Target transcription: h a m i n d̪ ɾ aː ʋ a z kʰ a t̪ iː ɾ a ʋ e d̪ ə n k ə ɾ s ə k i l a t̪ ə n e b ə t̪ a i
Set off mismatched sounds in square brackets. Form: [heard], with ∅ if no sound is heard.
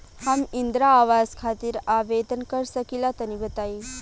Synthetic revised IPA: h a m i n d̪ ɾ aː ʋ a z kʰ a t̪ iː ɾ a ʋ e d̪ ə n k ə ɾ s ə k i l a t̪ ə n [i] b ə t̪ a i